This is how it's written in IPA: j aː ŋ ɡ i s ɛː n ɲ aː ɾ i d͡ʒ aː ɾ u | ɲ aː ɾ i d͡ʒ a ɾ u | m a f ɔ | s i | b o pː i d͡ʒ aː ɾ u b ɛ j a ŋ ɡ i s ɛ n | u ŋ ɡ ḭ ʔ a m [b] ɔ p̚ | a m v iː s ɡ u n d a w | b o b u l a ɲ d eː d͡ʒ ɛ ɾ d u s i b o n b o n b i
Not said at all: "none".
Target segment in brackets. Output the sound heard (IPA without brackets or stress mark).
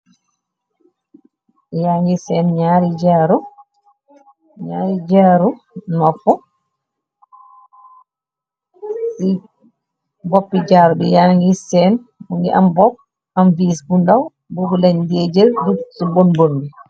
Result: b